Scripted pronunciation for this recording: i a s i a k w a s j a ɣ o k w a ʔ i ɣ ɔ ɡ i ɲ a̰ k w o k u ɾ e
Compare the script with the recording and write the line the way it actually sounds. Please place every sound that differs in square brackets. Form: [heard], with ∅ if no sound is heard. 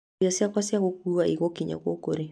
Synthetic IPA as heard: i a s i a k w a s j a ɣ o k [u] a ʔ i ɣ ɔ [k] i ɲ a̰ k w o k [o] ɾ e

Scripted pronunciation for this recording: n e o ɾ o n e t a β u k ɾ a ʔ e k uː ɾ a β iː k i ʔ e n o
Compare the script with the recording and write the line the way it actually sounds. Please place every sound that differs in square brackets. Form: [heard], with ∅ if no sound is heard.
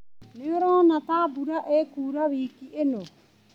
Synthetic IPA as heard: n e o ɾ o n [a] t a [b] u [∅] ɾ a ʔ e k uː ɾ a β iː k i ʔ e n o

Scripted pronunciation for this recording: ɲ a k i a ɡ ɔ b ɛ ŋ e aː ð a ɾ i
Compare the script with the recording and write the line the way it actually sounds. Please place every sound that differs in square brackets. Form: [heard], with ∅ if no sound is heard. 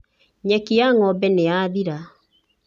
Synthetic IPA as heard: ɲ [ɛ] k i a [ŋ] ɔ b ɛ [n] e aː ð [i] ɾ [a]

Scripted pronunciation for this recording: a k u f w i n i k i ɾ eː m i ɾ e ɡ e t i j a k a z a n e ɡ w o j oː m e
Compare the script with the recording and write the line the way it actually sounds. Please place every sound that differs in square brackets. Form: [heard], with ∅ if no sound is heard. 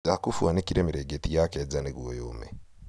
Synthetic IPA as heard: a k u f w [a] n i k i ɾ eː m i ɾ e ɡ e t i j a k [e] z a n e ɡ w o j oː m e

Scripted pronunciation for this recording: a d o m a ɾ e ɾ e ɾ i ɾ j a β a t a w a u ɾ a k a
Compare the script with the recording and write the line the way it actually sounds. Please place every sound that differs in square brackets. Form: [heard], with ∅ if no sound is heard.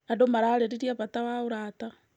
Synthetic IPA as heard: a d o m a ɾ [a] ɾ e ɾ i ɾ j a β a t a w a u ɾ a [t] a

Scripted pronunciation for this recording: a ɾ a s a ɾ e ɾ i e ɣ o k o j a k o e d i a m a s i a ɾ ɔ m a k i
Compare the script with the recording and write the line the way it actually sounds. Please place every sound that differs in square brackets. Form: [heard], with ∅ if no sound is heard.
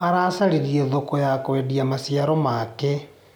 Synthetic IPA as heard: a ɾ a s a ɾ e ɾ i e [ð] o k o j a k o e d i a m a s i a ɾ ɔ m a k [e]

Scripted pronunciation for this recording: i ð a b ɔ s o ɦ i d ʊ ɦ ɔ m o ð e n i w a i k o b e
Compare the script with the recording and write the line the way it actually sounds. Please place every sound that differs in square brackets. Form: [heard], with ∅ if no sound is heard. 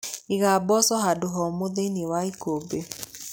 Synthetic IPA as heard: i [ɣ] a b ɔ s [ɔ] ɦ [a] d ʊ ɦ ɔ m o ð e n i w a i k o b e

